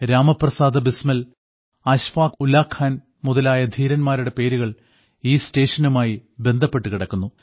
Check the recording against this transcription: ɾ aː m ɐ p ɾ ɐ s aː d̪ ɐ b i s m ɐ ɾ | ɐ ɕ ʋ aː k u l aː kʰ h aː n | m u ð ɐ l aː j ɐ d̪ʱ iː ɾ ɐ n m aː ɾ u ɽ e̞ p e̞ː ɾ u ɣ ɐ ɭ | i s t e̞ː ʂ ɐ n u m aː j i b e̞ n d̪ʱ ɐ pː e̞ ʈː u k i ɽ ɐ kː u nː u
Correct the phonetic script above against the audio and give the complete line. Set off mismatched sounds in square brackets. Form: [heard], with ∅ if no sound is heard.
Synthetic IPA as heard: ɾ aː m ɐ p [r] ɐ s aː d̪ ɐ b i s m ɐ [l] | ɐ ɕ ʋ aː k u l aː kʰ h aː n | m u ð ɐ l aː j ɐ d̪ʱ iː ɾ ɐ n m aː ɾ u ɽ e̞ p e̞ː ɾ u ɣ ɐ ɭ | [iː] s t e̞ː ʂ ɐ n u m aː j i b e̞ n d̪ʱ ɐ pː e̞ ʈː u k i ɽ ɐ kː u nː u

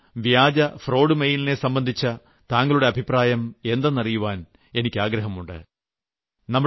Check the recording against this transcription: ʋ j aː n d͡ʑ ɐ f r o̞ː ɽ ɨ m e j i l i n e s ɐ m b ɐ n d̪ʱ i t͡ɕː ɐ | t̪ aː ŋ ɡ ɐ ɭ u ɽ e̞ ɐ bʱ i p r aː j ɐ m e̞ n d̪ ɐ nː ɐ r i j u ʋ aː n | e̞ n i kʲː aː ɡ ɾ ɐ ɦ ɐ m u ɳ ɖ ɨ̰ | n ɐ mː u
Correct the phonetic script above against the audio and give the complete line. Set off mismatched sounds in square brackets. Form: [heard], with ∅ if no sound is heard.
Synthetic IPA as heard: ʋ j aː [∅] d͡ʑ ɐ f r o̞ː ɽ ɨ m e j i l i n e s ɐ m b ɐ n d̪ʱ i t͡ɕː ɐ | t̪ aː ŋ ɡ ɐ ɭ u ɽ e̞ ɐ bʱ i p r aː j ɐ m e̞ n d̪ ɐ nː ɐ r i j u ʋ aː n | e̞ n i kʲː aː ɡ ɾ ɐ ɦ ɐ m u ɳ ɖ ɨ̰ | n ɐ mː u

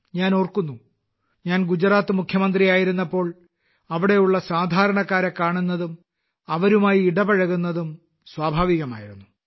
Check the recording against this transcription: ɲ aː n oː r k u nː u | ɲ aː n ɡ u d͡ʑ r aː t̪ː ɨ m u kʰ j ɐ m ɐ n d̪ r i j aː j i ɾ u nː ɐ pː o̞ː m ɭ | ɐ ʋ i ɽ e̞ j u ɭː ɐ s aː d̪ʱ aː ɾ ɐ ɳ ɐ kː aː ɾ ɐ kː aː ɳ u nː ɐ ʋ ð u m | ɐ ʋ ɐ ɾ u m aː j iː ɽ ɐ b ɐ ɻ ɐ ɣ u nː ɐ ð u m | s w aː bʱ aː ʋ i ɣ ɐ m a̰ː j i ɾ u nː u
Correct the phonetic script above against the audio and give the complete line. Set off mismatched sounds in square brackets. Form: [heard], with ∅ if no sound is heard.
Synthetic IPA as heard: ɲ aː n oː r k u nː u | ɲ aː n ɡ u d͡ʑ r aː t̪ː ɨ m u kʰ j ɐ m ɐ n d̪ r i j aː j i ɾ u nː ɐ pː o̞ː [∅] ɭ | ɐ ʋ i ɽ e̞ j u ɭː ɐ s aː d̪ʱ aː ɾ ɐ ɳ ɐ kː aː ɾ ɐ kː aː ɳ u nː ɐ [∅] ð u m | ɐ ʋ ɐ ɾ u m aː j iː ɽ ɐ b ɐ ɻ ɐ ɣ u nː ɐ ð u m | s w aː bʱ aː ʋ i ɣ ɐ m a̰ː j i ɾ u nː u

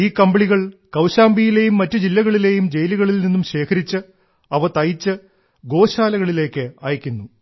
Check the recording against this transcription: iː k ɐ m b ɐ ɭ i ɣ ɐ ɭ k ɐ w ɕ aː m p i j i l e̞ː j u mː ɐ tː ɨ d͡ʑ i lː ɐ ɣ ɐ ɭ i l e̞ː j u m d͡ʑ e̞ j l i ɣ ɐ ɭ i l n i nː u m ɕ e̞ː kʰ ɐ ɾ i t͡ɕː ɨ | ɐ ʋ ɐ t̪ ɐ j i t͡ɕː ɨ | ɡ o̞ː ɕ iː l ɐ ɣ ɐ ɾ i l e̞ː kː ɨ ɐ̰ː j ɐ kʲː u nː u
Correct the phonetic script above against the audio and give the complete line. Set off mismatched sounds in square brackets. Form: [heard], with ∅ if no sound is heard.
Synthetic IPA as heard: iː k ɐ m b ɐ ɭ i ɣ ɐ ɭ k ɐ w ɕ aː m [b] i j i l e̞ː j u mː ɐ tː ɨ d͡ʑ i lː ɐ ɣ ɐ ɭ i l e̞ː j u m d͡ʑ e̞ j l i ɣ ɐ ɭ i l n i nː u m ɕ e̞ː kʰ ɐ ɾ i t͡ɕː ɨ | ɐ ʋ ɐ t̪ ɐ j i t͡ɕː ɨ | ɡ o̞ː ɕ [aː] l ɐ ɣ ɐ [ɭ] i l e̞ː kː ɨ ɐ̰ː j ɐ kʲː u nː u

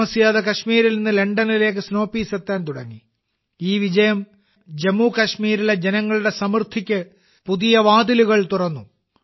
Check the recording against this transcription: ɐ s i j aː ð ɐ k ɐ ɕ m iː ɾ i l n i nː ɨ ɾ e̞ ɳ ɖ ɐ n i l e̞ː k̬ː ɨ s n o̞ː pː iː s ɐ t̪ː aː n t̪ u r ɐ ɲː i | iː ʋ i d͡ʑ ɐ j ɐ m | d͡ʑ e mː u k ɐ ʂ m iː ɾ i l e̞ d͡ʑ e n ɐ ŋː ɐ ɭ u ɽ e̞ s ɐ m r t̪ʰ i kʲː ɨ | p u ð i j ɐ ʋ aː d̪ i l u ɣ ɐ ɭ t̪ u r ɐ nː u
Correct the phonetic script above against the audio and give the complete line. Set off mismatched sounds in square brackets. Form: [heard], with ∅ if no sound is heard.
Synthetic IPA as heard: ɐ s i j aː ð ɐ k ɐ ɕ m iː ɾ i l n i nː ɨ [l] e̞ ɳ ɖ ɐ n i l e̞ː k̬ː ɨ s n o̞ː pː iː s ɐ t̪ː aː n t̪ u [ɽ] ɐ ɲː i | iː ʋ i d͡ʑ ɐ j ɐ m | d͡ʑ e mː u k ɐ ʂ m iː ɾ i l e̞ d͡ʑ e n ɐ ŋː ɐ ɭ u ɽ e̞ s ɐ m r t̪ʰ i kʲː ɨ | p u ð i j ɐ ʋ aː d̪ i l u ɣ ɐ ɭ t̪ u r ɐ nː u

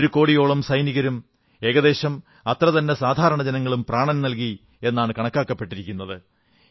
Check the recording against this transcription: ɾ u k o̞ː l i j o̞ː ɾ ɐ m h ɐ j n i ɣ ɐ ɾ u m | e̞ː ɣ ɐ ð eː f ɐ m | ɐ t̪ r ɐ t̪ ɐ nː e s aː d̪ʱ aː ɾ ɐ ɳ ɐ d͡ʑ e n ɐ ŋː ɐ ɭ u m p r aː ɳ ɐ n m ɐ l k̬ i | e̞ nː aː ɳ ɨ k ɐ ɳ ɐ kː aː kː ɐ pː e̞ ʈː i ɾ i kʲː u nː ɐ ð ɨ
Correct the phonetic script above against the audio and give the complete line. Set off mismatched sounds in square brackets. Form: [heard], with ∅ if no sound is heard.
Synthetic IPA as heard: ɾ u k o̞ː [ɽ] i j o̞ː [ɭ] ɐ m [s] ɐ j n i ɣ ɐ ɾ u m | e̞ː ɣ ɐ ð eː [ɕ] ɐ m | ɐ t̪ r ɐ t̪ ɐ nː e s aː d̪ʱ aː ɾ ɐ ɳ ɐ d͡ʑ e n ɐ ŋː ɐ ɭ u m p r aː ɳ ɐ n [n] ɐ l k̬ i | e̞ nː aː ɳ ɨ k ɐ ɳ ɐ kː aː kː ɐ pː e̞ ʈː i ɾ i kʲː u nː ɐ ð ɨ

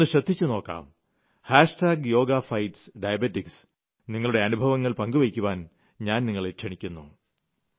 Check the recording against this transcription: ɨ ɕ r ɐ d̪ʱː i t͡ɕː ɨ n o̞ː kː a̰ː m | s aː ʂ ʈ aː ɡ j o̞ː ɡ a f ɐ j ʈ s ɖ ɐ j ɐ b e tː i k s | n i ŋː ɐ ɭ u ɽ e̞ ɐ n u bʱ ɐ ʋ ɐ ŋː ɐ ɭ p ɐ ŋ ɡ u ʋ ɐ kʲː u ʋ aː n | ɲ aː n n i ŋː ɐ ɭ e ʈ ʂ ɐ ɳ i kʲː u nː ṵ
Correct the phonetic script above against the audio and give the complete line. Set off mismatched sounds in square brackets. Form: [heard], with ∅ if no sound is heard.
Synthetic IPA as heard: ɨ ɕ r ɐ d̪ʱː i t͡ɕː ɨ n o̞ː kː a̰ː m | [h] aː ʂ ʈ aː ɡ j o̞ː ɡ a f ɐ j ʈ s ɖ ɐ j ɐ b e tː i k s | n i ŋː ɐ ɭ u ɽ e̞ ɐ n u bʱ ɐ ʋ ɐ ŋː ɐ ɭ p ɐ ŋ ɡ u ʋ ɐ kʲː u ʋ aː n | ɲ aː n n i ŋː ɐ ɭ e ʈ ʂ ɐ ɳ i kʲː u nː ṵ

